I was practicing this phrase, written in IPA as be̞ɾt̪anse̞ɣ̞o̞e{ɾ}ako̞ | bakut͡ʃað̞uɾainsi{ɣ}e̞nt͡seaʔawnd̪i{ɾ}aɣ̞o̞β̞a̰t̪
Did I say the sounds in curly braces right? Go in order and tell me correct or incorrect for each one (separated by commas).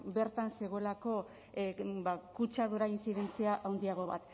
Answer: incorrect, incorrect, incorrect